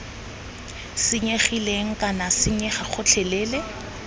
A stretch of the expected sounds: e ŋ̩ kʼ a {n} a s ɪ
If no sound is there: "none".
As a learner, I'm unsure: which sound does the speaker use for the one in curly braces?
n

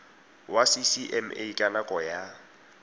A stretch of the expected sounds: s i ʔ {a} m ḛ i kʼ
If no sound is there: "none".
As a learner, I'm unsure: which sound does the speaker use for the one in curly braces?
ɛ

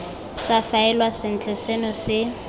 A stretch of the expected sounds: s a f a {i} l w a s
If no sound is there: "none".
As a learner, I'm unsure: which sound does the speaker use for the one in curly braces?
ɛ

